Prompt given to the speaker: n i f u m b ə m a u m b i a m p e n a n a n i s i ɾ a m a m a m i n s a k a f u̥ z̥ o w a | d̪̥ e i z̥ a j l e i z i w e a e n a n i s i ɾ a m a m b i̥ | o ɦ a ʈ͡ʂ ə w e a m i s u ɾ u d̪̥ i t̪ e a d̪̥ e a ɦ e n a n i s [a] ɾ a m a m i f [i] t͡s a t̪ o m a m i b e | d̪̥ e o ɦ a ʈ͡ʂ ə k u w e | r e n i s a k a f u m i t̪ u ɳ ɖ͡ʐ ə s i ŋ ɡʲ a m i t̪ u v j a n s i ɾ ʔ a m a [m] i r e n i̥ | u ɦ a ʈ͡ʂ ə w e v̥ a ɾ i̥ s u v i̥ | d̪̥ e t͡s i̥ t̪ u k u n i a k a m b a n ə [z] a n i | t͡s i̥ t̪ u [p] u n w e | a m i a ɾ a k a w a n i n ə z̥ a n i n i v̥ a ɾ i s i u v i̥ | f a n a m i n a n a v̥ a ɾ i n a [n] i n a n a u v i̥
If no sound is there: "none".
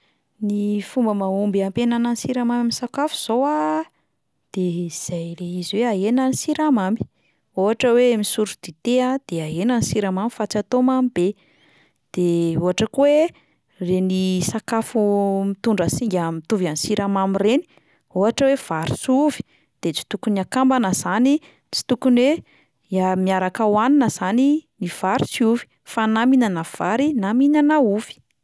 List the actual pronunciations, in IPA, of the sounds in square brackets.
i, a, m, z, k, m

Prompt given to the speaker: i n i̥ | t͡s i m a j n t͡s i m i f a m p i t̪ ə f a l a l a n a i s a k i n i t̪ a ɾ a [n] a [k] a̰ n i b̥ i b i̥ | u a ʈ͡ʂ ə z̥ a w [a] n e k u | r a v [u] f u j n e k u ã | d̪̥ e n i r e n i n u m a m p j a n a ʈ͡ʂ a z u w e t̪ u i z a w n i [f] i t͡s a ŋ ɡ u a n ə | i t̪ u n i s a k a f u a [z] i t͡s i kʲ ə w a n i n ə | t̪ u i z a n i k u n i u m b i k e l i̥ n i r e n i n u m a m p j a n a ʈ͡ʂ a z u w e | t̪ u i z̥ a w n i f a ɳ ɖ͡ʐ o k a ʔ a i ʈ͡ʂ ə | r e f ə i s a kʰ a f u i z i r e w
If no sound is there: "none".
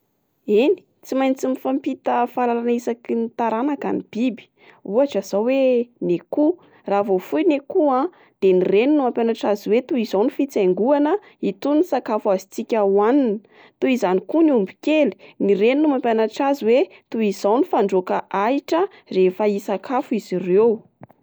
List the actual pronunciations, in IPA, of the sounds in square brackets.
n, k, e, o, f, z

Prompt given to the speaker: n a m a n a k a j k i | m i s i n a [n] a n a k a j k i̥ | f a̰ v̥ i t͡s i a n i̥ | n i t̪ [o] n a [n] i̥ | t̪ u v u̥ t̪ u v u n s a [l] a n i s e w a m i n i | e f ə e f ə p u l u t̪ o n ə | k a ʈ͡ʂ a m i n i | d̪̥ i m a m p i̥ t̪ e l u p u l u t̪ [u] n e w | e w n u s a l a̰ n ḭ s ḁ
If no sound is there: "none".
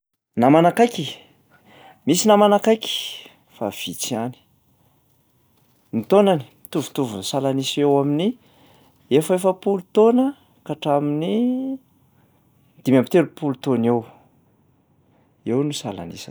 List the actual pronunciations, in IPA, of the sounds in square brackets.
m, o, n, l, o

